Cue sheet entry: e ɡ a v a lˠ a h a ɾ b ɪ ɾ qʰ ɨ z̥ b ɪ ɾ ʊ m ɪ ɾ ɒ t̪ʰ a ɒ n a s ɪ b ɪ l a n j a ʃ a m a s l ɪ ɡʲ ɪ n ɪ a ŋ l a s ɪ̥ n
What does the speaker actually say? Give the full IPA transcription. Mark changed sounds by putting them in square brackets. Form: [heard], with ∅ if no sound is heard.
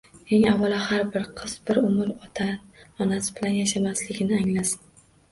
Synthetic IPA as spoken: e [ŋ] a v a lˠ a h a ɾ b ɪ ɾ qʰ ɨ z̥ b ɪ ɾ ʊ m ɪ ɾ ɒ t̪ʰ a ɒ n a s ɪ b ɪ l a n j a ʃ a m a s l ɪ ɡʲ ɪ n ɪ a ŋ l a s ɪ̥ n